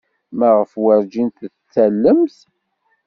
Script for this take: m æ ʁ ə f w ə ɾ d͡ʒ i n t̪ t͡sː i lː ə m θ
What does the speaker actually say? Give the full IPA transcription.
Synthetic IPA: m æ ʁ ə f w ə ɾ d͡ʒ i n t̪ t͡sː æ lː ə m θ